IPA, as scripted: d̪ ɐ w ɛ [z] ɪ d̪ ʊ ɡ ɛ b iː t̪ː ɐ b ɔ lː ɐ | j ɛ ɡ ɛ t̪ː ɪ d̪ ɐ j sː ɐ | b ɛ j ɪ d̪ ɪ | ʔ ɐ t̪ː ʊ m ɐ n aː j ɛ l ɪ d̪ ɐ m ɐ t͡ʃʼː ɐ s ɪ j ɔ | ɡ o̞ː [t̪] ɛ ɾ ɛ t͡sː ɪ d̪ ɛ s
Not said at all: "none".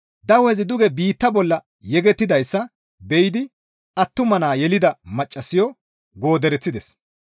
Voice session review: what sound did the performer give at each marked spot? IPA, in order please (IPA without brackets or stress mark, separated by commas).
z, d̪